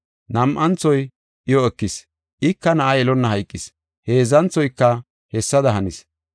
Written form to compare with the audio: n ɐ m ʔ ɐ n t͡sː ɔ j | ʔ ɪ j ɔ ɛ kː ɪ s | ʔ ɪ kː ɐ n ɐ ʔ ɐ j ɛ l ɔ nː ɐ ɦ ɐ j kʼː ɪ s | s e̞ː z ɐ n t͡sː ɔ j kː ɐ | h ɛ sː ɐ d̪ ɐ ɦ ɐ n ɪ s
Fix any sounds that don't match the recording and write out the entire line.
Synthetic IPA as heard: n ɐ m ʔ ɐ n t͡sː ɔ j | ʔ ɪ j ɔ ɛ kː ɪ s | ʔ ɪ kː ɐ n ɐ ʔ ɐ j ɛ l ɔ nː ɐ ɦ ɐ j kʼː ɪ s | h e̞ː z ɐ n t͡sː ɔ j kː ɐ | h ɛ sː ɐ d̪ ɐ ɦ ɐ n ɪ s